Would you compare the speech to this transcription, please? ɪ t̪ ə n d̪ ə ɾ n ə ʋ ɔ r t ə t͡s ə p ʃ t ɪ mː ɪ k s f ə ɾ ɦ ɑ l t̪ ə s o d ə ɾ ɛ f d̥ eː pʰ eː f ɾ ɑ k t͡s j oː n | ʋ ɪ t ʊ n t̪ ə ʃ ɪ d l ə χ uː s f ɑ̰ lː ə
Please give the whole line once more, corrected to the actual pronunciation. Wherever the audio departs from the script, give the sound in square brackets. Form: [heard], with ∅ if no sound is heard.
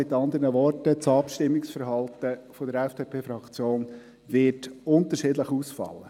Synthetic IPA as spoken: ɪ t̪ [ɑ] n d̪ ə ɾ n ə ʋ ɔ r t ə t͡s [ɑ] p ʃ t ɪ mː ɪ k s f ə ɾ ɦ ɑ l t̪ ə [f] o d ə ɾ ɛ f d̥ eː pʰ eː f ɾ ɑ k t͡s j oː n | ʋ ɪ t ʊ n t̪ ə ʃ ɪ d l ə χ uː s f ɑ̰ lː ə